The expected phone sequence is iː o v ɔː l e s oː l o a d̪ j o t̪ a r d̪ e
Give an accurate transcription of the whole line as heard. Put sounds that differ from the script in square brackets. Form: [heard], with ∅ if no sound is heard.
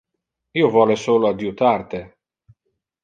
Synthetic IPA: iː o v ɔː l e s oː l o a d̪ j [u] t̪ a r [t̪] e